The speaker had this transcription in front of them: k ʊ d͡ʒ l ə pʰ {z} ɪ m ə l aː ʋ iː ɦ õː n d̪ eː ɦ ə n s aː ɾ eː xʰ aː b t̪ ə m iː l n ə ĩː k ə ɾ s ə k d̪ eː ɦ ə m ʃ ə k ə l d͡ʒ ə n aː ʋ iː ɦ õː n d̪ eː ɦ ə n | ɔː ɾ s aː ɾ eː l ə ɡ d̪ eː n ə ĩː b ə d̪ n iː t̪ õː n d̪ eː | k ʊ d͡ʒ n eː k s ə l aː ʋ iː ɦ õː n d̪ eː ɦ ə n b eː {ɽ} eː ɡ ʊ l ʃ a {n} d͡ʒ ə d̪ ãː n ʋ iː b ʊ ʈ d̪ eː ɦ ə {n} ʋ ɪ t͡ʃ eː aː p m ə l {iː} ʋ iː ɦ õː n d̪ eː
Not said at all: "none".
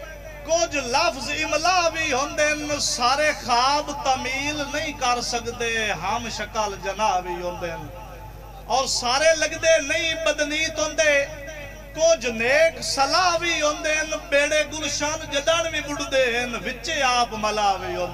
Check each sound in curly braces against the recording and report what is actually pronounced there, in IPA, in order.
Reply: z, ɽ, n, n, aː

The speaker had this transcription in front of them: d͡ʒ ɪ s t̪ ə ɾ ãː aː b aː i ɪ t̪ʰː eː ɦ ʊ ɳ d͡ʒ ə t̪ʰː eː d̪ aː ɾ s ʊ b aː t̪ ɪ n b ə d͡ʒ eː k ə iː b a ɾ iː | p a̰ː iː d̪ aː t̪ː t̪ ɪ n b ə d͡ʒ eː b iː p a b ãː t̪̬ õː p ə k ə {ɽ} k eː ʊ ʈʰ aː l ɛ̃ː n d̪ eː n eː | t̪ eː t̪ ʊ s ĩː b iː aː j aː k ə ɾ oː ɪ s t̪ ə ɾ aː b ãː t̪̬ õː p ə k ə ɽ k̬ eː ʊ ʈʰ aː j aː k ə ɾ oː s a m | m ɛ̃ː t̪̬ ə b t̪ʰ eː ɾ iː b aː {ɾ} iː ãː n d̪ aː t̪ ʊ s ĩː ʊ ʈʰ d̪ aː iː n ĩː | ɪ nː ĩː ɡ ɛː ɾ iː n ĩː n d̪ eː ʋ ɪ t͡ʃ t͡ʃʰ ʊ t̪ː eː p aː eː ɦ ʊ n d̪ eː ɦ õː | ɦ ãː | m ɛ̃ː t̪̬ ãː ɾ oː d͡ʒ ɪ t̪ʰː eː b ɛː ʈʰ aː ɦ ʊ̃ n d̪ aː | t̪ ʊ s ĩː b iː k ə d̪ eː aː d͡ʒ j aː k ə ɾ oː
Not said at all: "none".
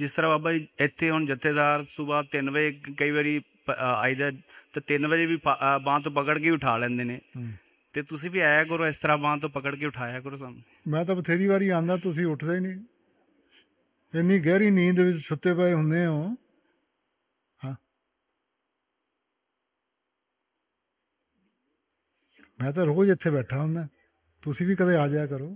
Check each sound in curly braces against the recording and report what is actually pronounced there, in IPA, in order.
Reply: ɽ, ɾ

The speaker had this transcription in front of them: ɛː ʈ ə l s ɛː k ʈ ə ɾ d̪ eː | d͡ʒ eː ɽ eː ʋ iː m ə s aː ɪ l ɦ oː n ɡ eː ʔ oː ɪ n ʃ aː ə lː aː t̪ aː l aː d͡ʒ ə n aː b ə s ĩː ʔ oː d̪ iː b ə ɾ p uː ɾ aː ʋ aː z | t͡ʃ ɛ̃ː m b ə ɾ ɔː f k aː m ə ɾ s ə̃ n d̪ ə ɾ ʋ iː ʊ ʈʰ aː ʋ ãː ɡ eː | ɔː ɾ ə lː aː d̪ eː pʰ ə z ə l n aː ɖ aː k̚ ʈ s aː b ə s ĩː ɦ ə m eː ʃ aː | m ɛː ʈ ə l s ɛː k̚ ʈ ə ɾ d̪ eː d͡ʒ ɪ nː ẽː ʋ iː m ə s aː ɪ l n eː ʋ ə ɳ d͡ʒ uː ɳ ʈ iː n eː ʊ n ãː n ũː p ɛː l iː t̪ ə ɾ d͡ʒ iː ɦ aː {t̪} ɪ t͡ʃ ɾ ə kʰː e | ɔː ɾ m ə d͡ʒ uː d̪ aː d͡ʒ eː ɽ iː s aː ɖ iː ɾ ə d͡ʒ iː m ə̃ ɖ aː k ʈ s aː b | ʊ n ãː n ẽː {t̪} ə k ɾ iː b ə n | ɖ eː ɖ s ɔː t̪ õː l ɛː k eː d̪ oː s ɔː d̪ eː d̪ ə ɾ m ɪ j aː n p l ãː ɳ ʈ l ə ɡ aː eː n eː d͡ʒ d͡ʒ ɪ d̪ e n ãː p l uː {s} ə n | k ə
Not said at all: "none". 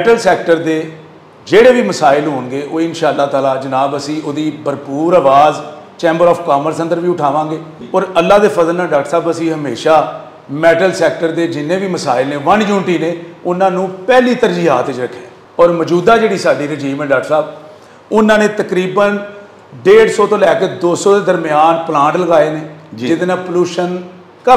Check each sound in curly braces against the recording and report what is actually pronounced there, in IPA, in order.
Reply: t̪, t̪, ʃ

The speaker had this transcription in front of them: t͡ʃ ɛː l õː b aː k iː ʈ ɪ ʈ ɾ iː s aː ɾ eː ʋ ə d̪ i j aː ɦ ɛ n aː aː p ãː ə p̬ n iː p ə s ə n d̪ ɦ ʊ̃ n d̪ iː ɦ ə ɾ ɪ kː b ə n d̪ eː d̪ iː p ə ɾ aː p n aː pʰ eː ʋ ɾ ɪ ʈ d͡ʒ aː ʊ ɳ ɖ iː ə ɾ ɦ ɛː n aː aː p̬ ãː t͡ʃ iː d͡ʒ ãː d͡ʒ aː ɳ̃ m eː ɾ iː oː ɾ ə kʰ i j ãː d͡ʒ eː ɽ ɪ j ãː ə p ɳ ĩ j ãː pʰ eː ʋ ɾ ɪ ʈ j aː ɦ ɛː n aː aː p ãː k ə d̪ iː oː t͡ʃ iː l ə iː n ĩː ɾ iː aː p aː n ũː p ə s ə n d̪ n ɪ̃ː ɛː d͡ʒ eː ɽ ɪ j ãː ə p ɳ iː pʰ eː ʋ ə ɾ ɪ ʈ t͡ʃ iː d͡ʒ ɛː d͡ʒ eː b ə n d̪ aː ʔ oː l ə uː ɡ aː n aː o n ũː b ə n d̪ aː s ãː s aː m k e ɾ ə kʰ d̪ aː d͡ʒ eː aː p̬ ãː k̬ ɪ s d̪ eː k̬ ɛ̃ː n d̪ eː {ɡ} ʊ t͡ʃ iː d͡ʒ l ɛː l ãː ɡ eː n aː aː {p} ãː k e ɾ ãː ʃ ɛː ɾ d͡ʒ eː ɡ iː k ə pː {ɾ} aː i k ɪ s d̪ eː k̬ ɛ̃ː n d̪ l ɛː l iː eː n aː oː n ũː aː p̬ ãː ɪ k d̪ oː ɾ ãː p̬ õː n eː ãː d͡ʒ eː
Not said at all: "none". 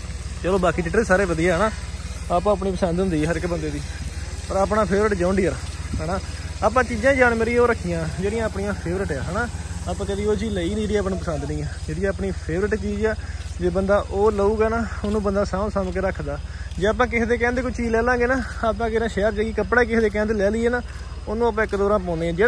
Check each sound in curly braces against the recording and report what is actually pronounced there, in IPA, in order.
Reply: k, p, ɽ

